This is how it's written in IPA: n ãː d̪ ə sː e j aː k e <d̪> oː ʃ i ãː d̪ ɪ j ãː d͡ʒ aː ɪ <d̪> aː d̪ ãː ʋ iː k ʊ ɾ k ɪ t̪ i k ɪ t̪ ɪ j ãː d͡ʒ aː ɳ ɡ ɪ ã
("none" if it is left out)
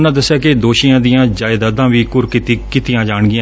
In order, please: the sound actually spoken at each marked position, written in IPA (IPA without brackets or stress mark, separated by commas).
d̪, d̪